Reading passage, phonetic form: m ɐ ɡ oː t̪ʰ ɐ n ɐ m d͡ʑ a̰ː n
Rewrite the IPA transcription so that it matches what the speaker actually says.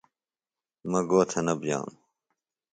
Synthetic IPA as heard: m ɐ ɡ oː t̪ʰ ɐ n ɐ b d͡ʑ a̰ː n